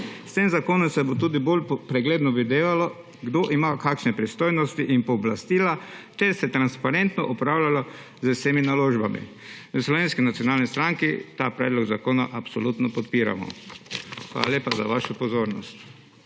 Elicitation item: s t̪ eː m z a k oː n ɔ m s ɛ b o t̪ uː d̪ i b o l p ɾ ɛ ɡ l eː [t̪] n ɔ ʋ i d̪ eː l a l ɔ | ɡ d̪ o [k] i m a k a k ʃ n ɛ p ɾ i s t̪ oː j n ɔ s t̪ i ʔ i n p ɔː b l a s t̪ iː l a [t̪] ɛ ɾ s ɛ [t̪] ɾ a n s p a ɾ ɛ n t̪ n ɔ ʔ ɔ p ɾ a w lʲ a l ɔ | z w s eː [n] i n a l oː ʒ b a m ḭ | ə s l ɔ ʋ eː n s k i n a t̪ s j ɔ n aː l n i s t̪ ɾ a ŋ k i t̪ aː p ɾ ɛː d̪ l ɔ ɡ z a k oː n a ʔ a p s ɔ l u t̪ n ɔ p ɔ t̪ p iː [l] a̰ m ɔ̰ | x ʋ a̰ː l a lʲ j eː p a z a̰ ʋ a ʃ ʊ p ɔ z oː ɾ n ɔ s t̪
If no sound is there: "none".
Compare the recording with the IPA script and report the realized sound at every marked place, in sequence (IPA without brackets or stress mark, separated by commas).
d̪, ʔ, t̪, t̪, m, ɾ